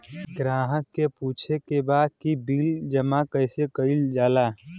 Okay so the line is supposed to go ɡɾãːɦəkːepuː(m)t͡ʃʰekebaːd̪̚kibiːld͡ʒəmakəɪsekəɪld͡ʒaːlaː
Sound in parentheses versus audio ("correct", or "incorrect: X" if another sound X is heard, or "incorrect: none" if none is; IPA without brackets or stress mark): incorrect: none